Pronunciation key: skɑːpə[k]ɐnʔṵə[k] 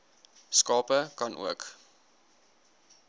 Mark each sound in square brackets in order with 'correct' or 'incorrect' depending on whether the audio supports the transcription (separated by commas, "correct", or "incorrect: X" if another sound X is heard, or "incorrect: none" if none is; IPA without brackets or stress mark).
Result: correct, correct